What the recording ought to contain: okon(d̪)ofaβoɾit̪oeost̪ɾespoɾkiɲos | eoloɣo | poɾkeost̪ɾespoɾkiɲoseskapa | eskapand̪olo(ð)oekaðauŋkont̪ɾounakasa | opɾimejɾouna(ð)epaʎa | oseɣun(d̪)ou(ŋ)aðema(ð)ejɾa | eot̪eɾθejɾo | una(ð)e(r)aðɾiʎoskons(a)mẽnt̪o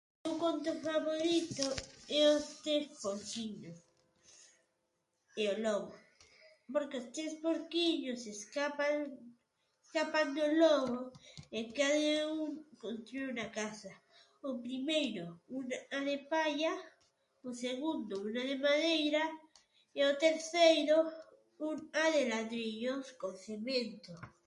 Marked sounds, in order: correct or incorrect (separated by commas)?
incorrect, incorrect, correct, correct, incorrect, correct, correct, incorrect, incorrect